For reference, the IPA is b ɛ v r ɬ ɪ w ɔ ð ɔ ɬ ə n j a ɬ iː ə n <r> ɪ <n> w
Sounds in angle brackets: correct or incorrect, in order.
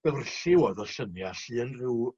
correct, incorrect

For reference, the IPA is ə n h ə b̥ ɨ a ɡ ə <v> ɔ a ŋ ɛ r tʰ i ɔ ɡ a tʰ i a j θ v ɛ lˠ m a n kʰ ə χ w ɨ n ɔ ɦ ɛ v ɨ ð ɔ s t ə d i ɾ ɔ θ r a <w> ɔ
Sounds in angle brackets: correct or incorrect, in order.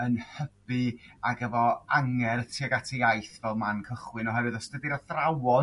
correct, correct

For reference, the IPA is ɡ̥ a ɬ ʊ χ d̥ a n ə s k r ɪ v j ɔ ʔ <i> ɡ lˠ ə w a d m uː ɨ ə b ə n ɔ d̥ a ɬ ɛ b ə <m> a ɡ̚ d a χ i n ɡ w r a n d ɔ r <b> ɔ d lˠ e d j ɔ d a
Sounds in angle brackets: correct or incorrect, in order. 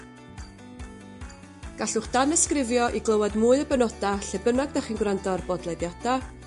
correct, incorrect, correct

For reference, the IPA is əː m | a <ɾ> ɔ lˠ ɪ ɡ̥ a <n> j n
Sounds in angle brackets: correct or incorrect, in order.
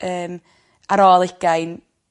correct, incorrect

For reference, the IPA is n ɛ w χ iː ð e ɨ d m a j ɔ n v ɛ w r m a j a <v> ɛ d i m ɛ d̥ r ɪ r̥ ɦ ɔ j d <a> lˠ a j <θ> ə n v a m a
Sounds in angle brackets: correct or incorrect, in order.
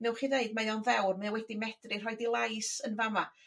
incorrect, incorrect, incorrect

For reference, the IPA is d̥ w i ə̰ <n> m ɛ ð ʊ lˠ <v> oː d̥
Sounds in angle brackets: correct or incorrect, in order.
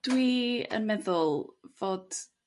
correct, correct

